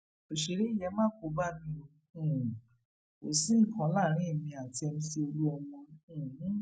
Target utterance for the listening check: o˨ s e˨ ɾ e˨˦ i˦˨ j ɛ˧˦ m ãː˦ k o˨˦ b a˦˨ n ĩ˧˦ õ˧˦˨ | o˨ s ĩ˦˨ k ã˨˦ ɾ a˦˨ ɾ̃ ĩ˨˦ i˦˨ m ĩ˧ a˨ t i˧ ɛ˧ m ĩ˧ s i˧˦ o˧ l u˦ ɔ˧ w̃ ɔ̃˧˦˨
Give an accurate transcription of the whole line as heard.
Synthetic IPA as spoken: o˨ ʃ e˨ ɾ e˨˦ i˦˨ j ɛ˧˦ m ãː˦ k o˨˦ b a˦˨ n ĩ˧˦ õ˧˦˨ | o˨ s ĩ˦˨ k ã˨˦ l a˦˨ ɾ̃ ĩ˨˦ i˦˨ m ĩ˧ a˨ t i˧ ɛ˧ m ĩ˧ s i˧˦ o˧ l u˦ ɔ˧ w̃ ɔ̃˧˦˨